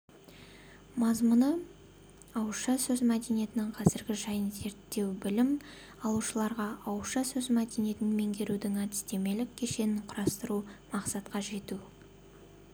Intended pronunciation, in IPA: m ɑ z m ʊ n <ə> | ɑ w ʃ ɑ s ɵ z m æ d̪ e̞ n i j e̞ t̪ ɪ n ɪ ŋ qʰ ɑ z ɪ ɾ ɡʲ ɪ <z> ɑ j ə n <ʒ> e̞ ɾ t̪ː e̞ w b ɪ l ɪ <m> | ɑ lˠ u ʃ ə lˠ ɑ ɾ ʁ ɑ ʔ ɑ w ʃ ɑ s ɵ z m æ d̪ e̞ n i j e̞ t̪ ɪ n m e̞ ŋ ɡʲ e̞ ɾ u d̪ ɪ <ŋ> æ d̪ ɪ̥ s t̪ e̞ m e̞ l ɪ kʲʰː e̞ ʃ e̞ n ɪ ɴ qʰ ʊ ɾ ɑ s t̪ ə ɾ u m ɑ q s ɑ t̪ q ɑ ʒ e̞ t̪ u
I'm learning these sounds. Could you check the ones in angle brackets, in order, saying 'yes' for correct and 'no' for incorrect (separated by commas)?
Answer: yes, no, no, yes, yes